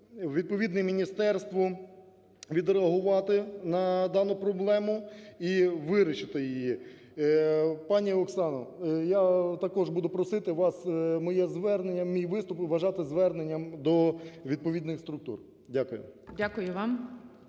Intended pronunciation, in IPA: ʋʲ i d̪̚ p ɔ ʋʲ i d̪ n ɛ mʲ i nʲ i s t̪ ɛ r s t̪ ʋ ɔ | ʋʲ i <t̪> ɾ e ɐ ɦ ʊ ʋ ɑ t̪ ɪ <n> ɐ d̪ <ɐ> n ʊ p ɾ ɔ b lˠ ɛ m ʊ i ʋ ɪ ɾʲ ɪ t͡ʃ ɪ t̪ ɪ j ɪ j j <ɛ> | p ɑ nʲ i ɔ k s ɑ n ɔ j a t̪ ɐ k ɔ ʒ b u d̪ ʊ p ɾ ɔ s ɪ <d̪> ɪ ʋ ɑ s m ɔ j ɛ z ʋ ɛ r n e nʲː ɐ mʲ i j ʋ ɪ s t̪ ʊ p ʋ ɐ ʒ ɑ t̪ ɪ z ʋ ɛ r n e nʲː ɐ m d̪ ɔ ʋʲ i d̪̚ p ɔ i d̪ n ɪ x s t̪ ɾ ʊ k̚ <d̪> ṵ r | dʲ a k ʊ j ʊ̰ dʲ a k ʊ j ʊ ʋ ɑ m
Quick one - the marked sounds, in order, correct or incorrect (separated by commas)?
incorrect, correct, incorrect, incorrect, incorrect, incorrect